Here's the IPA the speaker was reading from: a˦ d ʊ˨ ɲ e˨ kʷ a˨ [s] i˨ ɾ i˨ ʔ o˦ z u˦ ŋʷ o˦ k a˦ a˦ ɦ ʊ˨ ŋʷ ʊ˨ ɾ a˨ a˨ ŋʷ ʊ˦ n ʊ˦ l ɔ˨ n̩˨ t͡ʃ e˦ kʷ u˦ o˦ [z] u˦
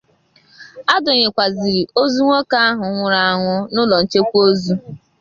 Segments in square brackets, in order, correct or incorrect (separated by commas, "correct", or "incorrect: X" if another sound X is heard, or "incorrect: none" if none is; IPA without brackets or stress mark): incorrect: z, correct